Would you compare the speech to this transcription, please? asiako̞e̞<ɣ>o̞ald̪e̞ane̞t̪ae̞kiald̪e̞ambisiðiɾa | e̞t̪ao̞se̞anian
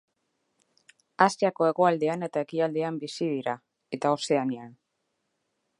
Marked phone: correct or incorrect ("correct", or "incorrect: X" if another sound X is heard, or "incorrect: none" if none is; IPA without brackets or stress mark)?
correct